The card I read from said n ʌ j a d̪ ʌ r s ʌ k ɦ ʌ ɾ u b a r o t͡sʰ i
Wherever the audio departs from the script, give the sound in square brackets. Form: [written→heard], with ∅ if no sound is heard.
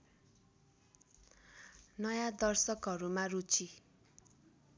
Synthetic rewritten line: n ʌ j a d̪ ʌ r s ʌ k ɦ ʌ ɾ u [b→m] a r [o→u] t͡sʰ i

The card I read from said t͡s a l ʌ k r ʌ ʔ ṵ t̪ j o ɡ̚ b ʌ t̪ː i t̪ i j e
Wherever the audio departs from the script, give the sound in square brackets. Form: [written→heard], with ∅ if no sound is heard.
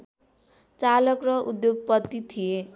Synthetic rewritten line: t͡s a l ʌ k r ʌ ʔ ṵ [t̪→d̪] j o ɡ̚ [b→p] ʌ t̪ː i [t̪→t̪ʰ] i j e

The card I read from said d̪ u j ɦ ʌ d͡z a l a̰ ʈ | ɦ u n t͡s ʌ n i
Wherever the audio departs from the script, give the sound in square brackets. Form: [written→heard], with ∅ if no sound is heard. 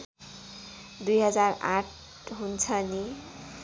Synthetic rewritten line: d̪ u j ɦ ʌ d͡z a [l→r] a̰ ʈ | ɦ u n [t͡s→t͡sʰ] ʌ n i

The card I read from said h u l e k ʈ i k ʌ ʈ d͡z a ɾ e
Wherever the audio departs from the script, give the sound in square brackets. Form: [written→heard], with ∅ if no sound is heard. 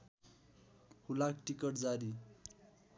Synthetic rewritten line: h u l [e→a] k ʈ i k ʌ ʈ d͡z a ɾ [e→i]

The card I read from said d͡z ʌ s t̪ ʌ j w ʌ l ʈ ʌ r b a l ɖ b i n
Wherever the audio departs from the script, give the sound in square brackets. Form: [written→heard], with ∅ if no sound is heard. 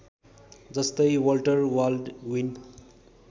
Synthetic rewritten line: d͡z ʌ s t̪ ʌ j w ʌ l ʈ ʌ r [b→w] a l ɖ [b→w] i n

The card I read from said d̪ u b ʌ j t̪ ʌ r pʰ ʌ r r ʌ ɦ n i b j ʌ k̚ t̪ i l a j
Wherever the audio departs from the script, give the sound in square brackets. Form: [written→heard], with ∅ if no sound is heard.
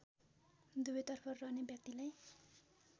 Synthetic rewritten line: d̪ u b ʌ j t̪ ʌ r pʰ ʌ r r ʌ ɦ n [i→e] b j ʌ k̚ t̪ i l a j

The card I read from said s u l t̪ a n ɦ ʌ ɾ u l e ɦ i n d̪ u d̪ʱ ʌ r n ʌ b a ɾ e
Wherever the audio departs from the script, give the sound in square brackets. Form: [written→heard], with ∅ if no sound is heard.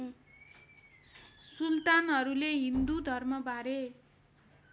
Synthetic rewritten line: s u l t̪ a n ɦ ʌ ɾ u l e ɦ i n d̪ u d̪ʱ ʌ r [n→m] ʌ b a ɾ e

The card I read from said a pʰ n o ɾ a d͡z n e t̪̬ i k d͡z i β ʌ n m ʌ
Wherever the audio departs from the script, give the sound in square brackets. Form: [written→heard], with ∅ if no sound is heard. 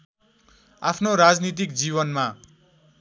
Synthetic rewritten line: a pʰ n o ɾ a d͡z n [e→i] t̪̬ i k d͡z i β ʌ n m [ʌ→a]

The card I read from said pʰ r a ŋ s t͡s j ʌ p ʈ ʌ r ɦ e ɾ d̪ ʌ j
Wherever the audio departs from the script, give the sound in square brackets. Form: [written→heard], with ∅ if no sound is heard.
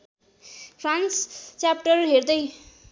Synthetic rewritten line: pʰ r a [ŋ→n] s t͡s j [ʌ→a] p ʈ ʌ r ɦ e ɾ d̪ ʌ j

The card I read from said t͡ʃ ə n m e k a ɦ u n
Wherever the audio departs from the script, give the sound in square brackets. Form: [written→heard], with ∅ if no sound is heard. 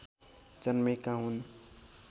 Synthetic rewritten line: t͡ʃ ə n m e k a ɦ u n

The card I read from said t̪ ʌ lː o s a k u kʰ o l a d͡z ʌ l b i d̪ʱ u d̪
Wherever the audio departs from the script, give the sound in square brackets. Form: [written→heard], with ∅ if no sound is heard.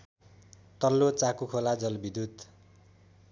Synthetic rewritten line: t̪ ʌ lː o [s→t͡s] a k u kʰ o l a d͡z ʌ l b i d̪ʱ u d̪

